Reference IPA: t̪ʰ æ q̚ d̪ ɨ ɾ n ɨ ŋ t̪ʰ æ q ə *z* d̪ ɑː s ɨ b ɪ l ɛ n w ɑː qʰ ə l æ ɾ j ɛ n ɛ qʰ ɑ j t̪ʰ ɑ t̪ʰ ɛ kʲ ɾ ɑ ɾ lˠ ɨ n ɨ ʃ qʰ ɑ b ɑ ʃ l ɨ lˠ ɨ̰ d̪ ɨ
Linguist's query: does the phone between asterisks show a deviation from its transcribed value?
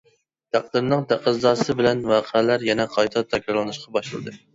no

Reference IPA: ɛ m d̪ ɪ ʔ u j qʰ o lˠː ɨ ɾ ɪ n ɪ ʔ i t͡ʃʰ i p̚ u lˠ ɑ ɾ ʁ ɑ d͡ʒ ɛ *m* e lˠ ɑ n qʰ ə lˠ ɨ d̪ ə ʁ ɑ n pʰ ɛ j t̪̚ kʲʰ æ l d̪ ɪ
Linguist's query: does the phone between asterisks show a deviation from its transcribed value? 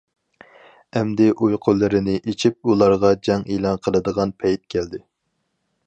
yes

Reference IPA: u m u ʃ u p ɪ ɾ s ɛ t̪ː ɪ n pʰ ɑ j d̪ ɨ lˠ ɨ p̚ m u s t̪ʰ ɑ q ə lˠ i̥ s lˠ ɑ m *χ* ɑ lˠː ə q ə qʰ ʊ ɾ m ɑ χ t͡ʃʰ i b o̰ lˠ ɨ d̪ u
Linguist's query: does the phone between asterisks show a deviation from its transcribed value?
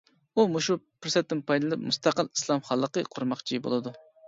no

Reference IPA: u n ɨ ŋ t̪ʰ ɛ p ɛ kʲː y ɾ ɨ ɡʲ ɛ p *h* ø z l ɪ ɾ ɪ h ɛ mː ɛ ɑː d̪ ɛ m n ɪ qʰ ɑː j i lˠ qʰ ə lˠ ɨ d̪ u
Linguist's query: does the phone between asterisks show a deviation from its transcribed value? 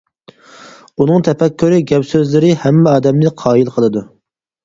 yes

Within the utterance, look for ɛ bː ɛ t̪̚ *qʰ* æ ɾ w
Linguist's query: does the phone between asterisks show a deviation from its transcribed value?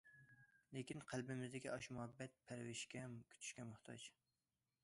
yes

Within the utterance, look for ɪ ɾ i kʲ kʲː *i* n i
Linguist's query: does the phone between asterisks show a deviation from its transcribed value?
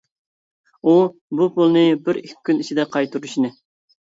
yes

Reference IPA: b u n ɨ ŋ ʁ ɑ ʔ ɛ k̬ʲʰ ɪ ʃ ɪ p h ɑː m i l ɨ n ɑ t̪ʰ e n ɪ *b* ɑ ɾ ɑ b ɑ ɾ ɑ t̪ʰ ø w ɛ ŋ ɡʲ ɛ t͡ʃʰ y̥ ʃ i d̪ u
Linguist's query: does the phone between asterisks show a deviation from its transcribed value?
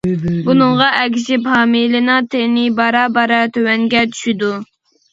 no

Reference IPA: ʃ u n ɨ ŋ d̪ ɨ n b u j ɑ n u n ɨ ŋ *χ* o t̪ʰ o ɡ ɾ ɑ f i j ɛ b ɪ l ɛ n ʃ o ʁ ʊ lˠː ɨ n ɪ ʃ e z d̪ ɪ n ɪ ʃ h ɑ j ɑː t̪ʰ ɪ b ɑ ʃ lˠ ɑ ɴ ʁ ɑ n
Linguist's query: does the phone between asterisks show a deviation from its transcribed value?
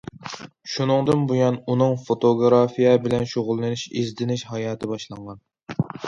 yes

